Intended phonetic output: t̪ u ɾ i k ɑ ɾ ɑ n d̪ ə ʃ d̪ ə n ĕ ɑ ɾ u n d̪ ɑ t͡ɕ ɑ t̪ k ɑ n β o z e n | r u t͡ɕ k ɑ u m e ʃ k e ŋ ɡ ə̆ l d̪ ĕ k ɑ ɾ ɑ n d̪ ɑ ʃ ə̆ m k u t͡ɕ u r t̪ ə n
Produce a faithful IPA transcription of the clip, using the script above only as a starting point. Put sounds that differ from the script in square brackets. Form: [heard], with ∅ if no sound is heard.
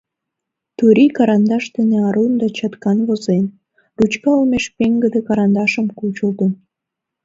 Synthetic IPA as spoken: t̪ u ɾ i k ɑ ɾ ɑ n d̪ [ɑ] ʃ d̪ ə n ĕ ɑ ɾ u n d̪ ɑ t͡ɕ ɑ t̪ k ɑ n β o z e n | r u t͡ɕ k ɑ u m e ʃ [p] e ŋ ɡ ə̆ [∅] d̪ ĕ k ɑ ɾ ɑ n d̪ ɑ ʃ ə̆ m k u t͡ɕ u [l] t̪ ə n